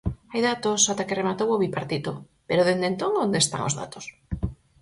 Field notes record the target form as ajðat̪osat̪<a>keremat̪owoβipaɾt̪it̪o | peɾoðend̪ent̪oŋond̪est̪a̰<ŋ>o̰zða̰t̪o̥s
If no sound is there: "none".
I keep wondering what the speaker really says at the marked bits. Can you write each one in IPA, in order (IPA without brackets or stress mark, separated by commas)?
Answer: a, ŋ